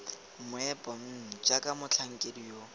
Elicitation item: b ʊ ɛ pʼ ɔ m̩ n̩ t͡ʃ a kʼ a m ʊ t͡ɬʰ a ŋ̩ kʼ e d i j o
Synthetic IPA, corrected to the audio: m ʊ ɛ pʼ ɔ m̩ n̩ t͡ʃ a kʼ a m ʊ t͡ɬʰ a ŋ̩ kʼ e d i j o